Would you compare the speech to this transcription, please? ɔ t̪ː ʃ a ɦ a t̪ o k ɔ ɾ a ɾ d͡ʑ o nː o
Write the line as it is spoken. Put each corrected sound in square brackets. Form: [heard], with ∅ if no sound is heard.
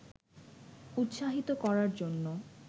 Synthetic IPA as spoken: [u] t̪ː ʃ a ɦ [i] t̪ o k ɔ ɾ a ɾ d͡ʑ o nː o